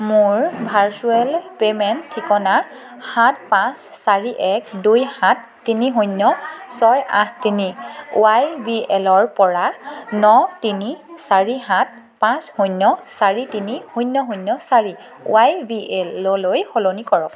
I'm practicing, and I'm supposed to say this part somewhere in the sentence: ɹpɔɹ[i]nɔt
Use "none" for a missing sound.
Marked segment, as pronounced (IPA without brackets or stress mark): a